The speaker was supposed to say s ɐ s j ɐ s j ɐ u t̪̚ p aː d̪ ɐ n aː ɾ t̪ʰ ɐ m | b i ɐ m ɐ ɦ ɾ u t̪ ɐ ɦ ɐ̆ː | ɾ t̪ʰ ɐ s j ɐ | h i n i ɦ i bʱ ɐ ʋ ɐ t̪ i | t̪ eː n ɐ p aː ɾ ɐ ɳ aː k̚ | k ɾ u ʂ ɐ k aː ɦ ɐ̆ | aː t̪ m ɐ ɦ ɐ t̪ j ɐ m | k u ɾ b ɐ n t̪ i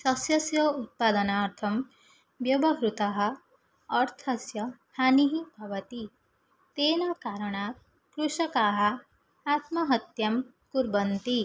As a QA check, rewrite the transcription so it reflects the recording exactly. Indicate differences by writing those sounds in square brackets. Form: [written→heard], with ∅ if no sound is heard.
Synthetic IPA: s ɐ s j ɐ s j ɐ u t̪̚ p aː d̪ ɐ n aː ɾ t̪ʰ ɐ m | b [i→j] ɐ [m→b] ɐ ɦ ɾ u t̪ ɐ ɦ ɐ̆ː | ɾ t̪ʰ ɐ s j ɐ | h [i→a] n i ɦ i bʱ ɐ ʋ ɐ t̪ i | t̪ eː n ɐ [p→k] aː ɾ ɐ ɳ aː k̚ | k ɾ u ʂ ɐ k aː ɦ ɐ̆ | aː t̪ m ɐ ɦ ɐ t̪ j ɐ m | k u ɾ b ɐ n t̪ i